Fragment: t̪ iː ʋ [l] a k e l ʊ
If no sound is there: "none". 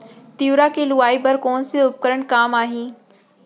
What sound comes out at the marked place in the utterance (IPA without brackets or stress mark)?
ɾ